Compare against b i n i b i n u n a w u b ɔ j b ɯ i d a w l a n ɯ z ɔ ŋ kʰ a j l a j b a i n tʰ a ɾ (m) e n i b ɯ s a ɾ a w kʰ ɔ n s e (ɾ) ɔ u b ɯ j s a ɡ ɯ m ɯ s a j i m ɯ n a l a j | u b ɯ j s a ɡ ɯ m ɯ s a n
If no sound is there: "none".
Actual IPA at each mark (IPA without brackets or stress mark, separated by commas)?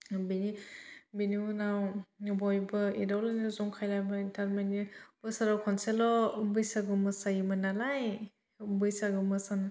m, l